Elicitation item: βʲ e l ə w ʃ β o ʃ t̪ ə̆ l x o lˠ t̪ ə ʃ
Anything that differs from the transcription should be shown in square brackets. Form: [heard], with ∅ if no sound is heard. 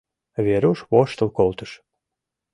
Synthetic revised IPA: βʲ e [ɾ] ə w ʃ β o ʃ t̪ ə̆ l [k] o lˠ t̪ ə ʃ